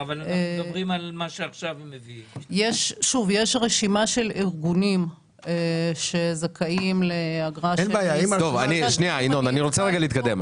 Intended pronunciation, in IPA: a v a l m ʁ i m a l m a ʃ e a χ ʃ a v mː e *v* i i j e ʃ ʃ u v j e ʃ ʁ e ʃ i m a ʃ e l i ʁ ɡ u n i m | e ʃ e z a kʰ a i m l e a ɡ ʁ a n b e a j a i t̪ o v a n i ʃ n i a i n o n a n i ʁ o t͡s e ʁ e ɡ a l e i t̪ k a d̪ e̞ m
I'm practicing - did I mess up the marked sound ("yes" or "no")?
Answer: no